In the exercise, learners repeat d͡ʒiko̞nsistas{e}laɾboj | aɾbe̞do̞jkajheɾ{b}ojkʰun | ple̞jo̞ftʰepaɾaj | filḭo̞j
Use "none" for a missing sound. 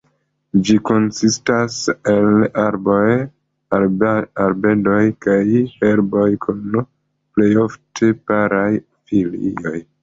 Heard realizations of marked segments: e, b

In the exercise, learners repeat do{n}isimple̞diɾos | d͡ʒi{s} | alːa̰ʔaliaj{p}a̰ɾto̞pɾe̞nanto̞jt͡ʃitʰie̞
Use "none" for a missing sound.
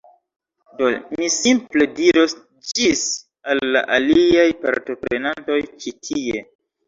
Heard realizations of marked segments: m, s, p

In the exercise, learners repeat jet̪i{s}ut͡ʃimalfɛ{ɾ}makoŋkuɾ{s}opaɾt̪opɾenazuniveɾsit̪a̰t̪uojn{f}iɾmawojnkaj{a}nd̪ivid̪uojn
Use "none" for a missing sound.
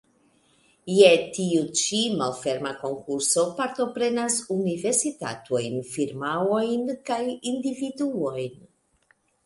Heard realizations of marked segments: none, ɾ, s, f, i

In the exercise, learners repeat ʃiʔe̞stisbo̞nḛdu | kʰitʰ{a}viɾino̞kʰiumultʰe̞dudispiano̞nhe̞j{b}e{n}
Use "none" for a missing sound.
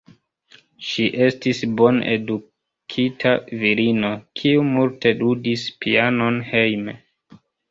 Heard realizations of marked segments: a, m, none

